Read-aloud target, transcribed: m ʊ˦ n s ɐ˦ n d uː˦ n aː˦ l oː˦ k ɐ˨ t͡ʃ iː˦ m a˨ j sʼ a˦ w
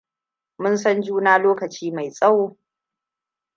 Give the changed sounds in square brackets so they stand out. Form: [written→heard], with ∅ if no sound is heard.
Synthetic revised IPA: m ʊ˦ n s ɐ˦ n [d→d͡ʒ] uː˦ n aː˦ l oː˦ k ɐ˨ t͡ʃ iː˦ m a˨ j sʼ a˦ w